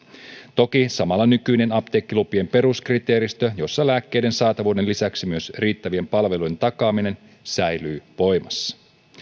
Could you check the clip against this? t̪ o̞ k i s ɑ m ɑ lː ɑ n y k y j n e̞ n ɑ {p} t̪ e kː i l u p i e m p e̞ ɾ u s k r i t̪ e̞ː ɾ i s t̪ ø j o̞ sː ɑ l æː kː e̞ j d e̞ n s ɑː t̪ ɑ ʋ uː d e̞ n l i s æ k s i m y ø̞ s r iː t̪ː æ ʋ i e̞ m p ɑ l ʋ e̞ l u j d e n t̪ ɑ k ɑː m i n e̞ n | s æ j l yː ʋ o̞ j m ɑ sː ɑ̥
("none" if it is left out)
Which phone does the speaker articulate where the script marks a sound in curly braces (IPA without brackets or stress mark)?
p